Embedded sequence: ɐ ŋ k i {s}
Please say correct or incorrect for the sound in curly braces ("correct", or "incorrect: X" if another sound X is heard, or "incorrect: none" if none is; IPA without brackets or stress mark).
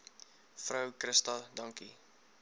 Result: incorrect: none